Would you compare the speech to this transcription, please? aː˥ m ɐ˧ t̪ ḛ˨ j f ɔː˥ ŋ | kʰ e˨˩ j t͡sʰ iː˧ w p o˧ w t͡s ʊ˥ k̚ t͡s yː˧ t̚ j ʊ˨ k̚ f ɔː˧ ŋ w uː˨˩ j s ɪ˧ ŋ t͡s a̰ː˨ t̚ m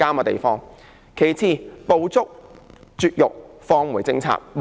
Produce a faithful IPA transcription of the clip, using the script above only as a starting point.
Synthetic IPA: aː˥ m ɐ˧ t̪ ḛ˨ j f ɔː˥ ŋ | kʰ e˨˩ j t͡sʰ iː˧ p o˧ w t͡s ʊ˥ k̚ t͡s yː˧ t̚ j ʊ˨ k̚ f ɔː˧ ŋ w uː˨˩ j t͡s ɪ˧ ŋ t͡sʰ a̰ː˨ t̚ m

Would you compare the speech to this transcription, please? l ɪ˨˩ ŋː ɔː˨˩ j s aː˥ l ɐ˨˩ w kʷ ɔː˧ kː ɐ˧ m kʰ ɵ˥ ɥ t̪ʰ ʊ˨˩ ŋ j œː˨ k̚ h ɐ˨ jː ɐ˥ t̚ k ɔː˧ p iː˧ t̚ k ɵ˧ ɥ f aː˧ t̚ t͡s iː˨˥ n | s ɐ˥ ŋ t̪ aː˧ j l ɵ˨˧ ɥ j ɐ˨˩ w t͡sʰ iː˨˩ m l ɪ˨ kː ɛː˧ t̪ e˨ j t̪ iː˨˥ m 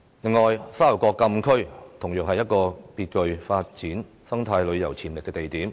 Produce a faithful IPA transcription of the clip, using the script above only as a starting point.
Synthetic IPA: l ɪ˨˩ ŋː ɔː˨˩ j s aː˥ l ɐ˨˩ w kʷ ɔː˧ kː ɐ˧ m kʰ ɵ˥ ɥ t̪ʰ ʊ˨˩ ŋ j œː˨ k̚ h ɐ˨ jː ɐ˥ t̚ k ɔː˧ p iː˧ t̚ k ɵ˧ ɥ f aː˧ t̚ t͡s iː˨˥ n | s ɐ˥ ŋ t̪ʰ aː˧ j l ɵ˨˧ ɥ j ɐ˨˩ w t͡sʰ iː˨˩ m l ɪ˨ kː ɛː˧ t̪ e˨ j t̪ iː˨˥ m

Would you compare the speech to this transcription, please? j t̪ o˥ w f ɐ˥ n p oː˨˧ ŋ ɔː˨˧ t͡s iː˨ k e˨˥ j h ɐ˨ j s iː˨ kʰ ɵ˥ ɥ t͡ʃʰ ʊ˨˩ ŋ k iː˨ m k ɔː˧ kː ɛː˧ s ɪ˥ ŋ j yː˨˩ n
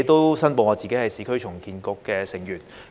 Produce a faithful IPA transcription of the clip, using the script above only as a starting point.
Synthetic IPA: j t̪ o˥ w s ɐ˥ n p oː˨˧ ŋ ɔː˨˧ t͡s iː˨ k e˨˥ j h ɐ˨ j s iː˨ kʰ ɵ˥ ɥ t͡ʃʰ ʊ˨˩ ŋ k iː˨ n k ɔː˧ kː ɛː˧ s ɪ˨˩ ŋ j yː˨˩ n

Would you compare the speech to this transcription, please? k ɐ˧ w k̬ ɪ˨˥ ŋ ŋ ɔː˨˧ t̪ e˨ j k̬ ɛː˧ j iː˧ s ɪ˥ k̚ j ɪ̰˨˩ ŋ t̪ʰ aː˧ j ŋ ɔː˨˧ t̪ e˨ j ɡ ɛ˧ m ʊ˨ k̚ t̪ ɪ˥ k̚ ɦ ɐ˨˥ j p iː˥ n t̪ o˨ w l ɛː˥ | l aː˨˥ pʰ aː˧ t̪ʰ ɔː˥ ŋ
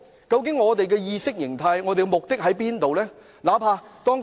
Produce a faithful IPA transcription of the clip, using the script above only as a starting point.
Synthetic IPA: k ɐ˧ w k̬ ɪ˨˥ ŋ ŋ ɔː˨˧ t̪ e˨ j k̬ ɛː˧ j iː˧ s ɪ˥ k̚ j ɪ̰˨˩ ŋ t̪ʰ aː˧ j ŋ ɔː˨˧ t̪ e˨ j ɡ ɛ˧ m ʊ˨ k̚ t̪ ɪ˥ k̚ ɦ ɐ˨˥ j p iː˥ n t̪ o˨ w l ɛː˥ | l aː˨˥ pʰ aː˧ t̪ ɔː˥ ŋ

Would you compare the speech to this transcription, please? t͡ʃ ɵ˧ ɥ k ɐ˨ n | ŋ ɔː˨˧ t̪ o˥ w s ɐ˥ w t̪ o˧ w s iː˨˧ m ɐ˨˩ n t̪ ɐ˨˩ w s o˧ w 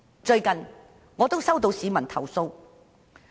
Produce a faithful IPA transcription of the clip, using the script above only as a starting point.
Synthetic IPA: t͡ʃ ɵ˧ ɥ k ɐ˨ n | ŋ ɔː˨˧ t̪ o˥ w s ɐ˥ w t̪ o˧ w s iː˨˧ m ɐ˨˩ n t̪ʰ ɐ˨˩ w s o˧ w

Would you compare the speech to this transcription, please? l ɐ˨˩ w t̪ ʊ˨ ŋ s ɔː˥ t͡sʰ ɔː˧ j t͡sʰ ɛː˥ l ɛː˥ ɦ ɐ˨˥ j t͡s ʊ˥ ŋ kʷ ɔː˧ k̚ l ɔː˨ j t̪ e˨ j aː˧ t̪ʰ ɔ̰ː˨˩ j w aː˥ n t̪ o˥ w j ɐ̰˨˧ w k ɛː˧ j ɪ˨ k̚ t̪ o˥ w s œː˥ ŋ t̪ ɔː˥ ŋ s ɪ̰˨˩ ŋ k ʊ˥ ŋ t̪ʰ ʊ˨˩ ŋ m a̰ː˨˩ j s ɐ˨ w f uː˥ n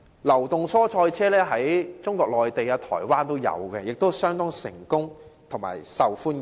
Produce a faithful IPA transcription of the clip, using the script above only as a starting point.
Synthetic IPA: l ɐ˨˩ w t̪ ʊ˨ ŋ s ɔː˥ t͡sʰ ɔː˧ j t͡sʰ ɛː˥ l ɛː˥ ɦ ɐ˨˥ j t͡s ʊ˥ ŋ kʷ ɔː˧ k̚ l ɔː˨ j t̪ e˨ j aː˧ t̪ʰ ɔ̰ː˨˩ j w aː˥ n t̪ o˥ w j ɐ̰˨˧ w k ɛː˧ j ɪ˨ k̚ t̪ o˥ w s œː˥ ŋ t̪ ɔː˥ ŋ s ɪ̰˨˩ ŋ k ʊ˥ ŋ t̪ʰ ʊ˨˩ ŋ m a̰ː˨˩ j s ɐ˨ w f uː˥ n

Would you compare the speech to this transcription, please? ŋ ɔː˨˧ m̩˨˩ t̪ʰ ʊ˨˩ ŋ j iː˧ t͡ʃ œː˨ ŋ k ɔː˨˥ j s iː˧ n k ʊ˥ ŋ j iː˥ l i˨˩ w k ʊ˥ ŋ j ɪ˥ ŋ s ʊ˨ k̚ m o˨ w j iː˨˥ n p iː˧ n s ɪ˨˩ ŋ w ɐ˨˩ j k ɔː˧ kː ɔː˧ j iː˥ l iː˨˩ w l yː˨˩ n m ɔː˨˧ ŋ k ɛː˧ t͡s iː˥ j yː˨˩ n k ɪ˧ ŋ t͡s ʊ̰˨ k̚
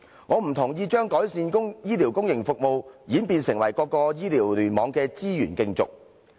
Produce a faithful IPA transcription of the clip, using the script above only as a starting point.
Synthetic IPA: ŋ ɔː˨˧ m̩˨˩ t̪ʰ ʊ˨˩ ŋ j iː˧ t͡ʃ œː˥ ŋ k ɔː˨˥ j s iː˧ n k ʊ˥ ŋ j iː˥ l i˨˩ w k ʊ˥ ŋ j ɪ˨˩ ŋ f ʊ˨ k̚ m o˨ w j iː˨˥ n p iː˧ n s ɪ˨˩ ŋ w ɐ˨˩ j k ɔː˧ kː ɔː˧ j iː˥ l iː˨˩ w l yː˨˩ n m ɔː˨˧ ŋ k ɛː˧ t͡s iː˥ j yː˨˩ n k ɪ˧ ŋ t͡s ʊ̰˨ k̚

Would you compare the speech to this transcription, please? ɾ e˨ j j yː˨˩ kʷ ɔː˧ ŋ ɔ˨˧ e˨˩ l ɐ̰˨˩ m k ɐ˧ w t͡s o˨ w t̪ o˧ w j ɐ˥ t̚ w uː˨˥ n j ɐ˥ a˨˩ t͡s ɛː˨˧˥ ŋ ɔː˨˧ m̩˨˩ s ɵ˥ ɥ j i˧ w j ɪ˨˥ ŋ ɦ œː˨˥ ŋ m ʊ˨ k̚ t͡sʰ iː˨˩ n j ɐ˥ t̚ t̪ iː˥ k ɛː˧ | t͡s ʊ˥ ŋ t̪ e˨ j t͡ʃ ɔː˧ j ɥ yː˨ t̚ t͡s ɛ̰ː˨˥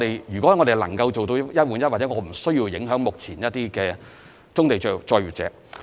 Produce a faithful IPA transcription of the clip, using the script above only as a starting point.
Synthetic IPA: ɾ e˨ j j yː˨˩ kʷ ɔː˨˥ ŋ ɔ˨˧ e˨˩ l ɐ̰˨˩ ŋ k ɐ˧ w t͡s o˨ w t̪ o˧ w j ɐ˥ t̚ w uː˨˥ n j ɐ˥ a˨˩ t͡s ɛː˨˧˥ ŋ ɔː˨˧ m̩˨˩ s ɵ˥ ɥ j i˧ w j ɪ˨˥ ŋ ɦ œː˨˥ ŋ m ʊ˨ k̚ t͡sʰ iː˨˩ n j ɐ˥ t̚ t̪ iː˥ k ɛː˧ | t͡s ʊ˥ ŋ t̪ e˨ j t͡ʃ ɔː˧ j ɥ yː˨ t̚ t͡s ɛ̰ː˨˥

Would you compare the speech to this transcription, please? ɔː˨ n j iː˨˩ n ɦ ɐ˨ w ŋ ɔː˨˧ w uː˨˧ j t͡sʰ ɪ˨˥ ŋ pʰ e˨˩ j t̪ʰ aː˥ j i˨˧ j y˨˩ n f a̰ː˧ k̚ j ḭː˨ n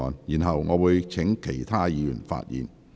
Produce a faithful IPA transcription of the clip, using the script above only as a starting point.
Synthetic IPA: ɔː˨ n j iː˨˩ n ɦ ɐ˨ w ŋ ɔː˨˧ w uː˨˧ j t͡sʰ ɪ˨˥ ŋ kʰ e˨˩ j t̪ʰ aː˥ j iː˨˧ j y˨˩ n f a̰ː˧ t̚ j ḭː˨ n

